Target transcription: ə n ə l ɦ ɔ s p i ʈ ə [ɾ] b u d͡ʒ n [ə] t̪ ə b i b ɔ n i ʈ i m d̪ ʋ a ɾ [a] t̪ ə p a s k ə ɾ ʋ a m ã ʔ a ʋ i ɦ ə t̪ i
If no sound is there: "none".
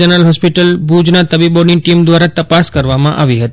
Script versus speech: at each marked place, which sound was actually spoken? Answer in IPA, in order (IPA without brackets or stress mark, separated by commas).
l, a, a